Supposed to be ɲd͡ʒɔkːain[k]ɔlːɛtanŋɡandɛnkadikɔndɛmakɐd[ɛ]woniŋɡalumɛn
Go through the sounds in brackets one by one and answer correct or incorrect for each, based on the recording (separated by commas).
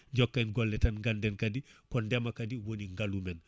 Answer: incorrect, incorrect